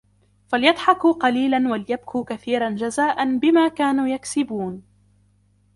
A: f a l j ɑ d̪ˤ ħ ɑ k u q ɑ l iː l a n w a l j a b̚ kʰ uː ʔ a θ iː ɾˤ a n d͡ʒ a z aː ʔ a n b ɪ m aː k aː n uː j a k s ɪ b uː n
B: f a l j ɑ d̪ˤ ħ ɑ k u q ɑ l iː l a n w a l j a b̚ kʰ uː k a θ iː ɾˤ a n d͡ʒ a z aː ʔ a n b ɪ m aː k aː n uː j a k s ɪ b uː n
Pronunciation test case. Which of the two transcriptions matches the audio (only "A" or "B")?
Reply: B